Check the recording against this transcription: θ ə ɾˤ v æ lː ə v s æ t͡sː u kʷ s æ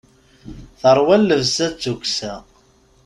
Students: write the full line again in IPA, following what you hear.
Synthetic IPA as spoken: θ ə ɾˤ w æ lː ə v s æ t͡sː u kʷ s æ